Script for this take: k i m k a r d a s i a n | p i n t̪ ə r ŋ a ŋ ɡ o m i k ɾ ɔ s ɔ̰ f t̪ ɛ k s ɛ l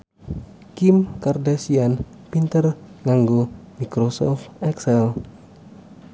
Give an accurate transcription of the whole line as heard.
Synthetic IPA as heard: k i m k a r d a s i a n | p i n t̪ ə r ŋ a ŋ ɡ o m i k ɾ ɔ s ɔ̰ f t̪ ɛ k s ɛ l